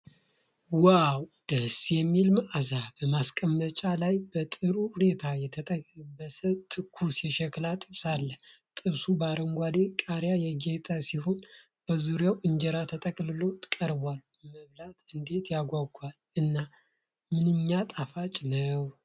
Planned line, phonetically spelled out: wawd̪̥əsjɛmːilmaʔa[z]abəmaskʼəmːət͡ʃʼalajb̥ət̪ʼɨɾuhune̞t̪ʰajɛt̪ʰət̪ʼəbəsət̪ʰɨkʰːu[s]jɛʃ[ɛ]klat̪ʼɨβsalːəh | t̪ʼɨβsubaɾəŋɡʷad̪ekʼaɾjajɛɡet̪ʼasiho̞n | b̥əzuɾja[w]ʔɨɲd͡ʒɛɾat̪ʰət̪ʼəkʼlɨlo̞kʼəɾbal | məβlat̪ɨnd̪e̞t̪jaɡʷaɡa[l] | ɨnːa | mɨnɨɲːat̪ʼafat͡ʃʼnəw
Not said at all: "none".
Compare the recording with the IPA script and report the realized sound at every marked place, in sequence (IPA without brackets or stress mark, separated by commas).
z, s, ɛ, w, l